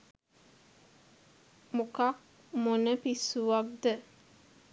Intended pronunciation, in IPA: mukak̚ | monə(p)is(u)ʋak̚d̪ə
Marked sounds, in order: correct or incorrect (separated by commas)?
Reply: correct, correct